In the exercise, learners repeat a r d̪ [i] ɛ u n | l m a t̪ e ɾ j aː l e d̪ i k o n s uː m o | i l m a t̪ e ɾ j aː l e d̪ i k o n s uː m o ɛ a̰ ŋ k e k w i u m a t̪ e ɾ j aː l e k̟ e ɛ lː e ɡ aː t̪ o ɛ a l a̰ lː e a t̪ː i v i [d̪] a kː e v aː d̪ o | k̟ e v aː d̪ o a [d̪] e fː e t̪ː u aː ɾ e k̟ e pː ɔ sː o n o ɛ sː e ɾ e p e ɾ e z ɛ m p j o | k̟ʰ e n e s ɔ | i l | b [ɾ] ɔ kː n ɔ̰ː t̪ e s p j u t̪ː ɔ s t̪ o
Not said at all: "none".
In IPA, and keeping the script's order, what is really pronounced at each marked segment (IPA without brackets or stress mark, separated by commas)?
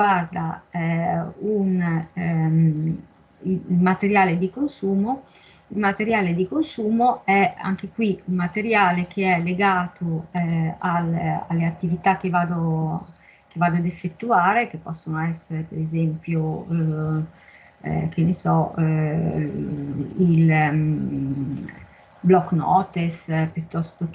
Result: a, t̪, d̪, l